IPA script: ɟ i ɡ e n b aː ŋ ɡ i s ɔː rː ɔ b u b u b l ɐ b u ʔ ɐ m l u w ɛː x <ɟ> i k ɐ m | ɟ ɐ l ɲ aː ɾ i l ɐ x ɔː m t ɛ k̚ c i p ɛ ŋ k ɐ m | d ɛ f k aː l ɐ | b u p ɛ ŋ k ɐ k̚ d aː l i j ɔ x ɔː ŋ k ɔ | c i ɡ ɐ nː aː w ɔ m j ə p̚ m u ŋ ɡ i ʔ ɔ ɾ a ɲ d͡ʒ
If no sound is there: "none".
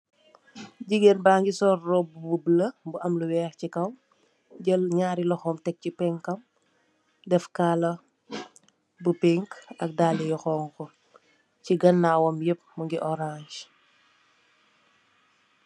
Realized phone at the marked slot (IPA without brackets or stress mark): c